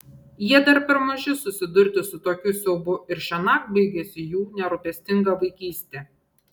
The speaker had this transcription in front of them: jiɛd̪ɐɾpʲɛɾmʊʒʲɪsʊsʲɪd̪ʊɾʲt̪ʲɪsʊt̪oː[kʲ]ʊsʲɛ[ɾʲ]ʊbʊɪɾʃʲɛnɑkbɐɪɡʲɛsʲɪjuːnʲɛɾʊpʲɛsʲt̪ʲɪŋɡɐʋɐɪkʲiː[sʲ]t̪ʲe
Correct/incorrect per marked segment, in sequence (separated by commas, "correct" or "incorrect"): correct, incorrect, correct